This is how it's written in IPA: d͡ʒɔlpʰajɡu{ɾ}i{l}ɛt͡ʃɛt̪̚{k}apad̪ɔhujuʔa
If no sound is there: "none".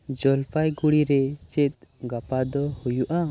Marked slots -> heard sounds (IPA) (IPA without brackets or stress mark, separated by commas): ɽ, ɾ, ɡ